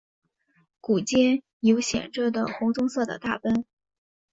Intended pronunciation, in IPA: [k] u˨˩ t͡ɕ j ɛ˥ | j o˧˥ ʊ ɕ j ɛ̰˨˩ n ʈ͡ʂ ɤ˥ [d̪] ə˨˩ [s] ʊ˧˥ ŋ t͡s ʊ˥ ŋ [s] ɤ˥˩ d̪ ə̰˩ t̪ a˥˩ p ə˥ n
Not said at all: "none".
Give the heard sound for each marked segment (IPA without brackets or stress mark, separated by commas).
k, d̪, x, s